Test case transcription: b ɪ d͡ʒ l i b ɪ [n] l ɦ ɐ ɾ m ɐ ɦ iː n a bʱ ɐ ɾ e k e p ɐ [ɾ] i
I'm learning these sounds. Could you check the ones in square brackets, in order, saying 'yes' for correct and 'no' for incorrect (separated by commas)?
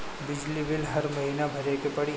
no, no